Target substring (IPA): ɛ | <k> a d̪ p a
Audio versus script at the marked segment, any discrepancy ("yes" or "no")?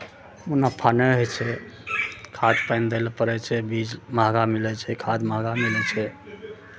yes